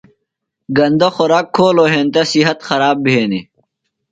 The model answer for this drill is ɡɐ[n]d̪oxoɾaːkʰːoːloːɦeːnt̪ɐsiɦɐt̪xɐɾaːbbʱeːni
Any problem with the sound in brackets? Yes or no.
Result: no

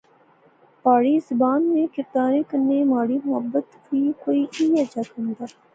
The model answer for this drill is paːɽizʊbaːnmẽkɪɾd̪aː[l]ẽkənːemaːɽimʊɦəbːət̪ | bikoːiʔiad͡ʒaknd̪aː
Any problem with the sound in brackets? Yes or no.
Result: yes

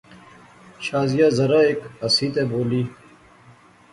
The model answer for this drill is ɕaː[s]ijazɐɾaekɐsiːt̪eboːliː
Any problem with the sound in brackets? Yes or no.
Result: yes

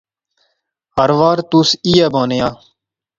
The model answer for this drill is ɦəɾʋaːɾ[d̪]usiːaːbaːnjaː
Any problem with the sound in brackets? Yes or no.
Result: yes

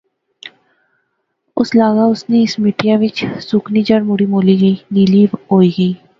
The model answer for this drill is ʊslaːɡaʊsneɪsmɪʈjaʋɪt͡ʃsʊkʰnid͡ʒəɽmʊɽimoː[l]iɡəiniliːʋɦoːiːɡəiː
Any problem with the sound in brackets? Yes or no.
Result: no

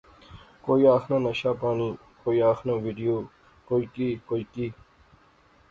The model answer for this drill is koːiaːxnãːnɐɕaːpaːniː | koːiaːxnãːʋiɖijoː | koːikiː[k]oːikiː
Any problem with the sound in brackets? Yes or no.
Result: no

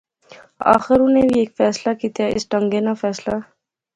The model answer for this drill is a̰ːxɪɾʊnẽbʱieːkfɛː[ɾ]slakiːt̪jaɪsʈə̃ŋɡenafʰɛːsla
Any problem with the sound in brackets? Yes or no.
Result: yes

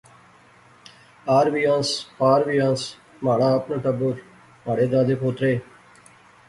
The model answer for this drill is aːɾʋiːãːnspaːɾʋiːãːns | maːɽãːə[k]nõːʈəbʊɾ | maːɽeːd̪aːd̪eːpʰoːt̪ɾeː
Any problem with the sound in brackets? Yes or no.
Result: yes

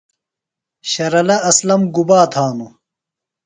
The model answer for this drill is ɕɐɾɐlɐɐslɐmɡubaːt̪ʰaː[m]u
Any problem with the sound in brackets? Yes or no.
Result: yes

